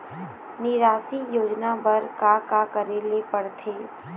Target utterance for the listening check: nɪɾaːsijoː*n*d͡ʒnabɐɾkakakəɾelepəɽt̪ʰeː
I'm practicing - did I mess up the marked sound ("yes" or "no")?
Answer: yes